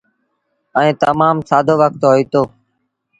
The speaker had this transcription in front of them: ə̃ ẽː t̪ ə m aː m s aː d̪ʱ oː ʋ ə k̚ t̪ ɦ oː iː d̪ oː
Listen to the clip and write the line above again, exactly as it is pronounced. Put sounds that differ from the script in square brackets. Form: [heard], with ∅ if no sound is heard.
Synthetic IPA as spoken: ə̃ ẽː t̪ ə m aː m s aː d̪ʱ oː ʋ ə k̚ t̪ ɦ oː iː [t̪] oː